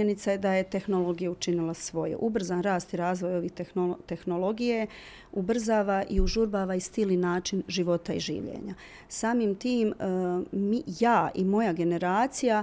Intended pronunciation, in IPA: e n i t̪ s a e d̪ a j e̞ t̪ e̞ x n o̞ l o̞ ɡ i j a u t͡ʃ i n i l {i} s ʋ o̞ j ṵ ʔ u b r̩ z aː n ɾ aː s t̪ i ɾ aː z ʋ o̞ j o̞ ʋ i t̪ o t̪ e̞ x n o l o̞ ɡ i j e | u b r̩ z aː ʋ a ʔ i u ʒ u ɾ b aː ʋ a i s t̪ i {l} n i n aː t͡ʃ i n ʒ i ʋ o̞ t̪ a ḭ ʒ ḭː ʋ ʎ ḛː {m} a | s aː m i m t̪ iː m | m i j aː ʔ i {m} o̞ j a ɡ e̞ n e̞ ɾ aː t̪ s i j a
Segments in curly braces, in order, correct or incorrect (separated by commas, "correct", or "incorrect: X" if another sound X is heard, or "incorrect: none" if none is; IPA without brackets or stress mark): incorrect: a, correct, incorrect: ɲ, correct